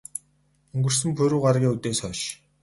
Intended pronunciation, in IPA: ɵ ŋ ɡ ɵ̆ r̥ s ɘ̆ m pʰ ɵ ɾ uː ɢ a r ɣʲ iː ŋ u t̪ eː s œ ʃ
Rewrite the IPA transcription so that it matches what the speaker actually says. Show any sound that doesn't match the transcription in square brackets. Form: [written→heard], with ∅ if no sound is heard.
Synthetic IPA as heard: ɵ ŋ ɡ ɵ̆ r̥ s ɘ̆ m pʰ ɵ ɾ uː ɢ a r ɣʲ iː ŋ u t̪ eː s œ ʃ